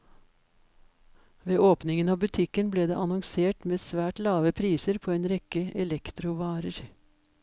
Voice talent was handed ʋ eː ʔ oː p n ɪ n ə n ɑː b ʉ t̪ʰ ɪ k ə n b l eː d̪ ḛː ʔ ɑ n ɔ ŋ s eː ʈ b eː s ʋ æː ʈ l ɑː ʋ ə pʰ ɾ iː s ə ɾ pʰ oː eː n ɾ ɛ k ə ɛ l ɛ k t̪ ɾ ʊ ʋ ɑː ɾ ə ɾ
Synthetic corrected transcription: ʋ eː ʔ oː p n ɪ ŋ ə n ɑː b ʉ t̪ʰ ɪ k ə n b l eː d̪ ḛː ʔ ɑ n ɔ ŋ s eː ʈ m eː s ʋ æː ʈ l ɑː ʋ ə pʰ ɾ iː s ə ɾ pʰ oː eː n ɾ ɛ k ə ɛ l ɛ k t̪ ɾ ʊ ʋ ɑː ɾ ə ɾ